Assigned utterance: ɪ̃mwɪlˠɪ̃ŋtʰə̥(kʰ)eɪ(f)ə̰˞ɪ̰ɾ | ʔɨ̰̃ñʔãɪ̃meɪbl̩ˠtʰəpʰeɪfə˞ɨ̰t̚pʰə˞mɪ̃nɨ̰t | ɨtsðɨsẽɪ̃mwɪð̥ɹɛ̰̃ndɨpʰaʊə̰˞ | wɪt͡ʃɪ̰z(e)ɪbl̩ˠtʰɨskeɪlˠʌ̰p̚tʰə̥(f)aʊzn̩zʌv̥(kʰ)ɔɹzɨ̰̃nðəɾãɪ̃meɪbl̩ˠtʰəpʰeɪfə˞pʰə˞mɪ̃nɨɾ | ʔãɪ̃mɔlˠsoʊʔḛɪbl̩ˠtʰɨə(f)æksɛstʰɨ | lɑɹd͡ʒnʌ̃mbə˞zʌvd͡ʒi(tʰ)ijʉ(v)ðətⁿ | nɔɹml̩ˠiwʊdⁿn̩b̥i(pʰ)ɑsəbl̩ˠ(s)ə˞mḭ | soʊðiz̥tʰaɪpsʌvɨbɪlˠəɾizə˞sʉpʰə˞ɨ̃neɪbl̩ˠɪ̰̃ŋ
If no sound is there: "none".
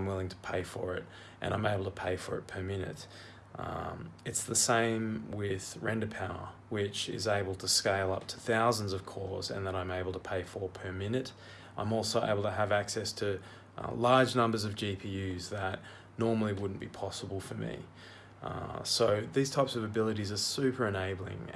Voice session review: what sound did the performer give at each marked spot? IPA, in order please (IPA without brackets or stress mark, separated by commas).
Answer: pʰ, f, e, θ, kʰ, v, pʰ, z, pʰ, f